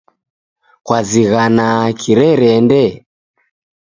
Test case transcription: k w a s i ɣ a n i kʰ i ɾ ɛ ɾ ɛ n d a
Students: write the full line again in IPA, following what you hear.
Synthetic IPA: k w a z i ɣ a n a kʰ i ɾ ɛ ɾ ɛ n d ɛ